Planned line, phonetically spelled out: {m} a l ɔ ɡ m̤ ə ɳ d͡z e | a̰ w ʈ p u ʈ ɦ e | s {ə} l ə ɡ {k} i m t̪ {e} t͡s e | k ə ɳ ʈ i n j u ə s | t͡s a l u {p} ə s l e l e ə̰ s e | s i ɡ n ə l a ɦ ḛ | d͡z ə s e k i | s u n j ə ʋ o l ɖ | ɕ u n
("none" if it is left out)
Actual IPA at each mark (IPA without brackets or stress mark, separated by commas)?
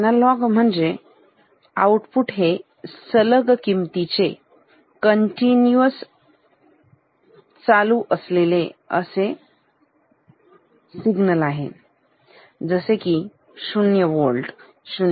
n, ə, k, i, ʔ